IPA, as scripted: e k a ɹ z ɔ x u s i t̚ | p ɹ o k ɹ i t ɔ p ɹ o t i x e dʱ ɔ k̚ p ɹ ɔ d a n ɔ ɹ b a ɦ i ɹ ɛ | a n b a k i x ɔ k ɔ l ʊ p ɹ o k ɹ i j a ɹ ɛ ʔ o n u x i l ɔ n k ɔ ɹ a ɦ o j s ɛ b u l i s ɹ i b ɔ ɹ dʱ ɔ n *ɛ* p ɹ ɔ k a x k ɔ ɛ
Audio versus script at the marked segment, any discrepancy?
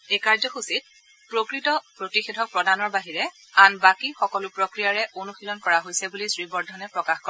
no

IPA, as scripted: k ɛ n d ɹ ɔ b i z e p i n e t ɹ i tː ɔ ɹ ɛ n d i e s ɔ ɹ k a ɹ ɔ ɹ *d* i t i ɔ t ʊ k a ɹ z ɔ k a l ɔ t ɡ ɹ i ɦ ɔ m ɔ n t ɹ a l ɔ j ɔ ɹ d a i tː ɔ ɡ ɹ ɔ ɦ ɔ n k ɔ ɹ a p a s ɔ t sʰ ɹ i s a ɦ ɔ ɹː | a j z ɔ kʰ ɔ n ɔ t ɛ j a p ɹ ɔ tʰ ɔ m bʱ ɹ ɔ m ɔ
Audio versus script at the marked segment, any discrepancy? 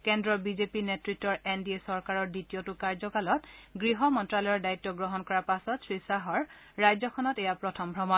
no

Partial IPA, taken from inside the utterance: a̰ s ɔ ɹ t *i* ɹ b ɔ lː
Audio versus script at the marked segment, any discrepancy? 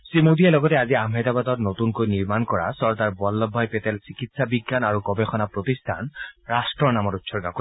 yes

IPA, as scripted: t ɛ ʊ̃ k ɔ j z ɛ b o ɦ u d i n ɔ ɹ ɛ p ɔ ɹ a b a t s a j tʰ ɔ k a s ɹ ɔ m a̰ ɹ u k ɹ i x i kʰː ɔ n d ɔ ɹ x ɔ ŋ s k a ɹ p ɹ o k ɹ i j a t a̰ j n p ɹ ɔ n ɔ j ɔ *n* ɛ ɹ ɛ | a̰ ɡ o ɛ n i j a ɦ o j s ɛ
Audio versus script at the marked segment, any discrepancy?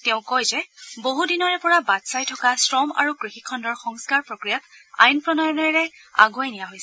no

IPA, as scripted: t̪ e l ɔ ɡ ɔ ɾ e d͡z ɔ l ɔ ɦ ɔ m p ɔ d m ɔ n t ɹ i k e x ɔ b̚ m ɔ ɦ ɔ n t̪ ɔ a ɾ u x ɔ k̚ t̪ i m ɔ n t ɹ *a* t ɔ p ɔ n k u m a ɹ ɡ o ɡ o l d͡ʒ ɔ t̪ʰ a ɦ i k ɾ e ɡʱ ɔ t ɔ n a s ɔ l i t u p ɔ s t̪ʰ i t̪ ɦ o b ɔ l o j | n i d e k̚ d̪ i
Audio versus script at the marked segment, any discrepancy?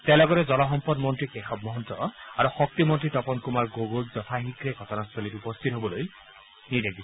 yes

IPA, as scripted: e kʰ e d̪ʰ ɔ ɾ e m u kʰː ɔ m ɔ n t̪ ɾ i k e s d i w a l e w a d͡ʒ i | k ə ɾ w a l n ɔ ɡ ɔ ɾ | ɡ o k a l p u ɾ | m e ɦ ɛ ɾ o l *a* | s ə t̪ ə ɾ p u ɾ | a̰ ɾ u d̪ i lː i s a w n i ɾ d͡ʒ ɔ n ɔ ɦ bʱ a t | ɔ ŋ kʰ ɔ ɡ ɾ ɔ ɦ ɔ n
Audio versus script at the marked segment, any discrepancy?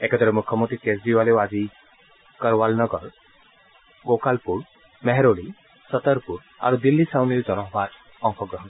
yes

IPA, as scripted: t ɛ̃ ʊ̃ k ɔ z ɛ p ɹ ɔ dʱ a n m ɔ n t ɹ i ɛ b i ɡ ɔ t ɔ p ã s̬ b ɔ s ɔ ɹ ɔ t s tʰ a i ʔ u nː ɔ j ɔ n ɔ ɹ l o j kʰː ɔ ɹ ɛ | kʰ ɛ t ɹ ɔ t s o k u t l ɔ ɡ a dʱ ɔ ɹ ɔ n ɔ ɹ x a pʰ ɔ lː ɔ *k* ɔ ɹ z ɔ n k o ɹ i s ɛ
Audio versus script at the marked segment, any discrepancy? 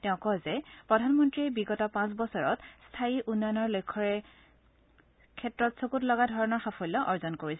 yes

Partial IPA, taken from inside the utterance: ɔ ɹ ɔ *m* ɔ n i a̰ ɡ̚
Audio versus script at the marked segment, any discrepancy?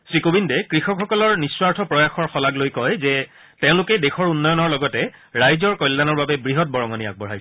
yes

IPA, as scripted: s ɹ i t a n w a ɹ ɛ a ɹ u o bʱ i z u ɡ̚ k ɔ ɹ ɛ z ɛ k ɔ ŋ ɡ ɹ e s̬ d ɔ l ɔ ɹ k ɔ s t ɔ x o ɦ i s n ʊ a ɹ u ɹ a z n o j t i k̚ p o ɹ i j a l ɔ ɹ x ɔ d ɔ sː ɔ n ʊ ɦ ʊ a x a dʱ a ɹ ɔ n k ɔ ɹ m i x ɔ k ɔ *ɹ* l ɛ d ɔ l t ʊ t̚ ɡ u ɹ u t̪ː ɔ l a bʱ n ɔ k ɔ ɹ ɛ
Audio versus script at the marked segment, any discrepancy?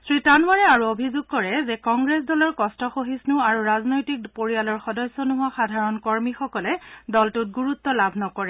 yes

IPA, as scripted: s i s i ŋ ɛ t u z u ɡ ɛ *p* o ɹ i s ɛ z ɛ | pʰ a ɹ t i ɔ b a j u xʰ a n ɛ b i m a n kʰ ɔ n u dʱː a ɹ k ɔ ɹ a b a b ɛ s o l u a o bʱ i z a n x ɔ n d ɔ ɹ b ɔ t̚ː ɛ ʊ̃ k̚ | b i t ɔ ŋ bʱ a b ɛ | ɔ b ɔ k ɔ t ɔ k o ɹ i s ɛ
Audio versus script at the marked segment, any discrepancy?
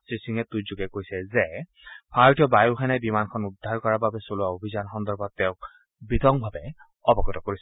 yes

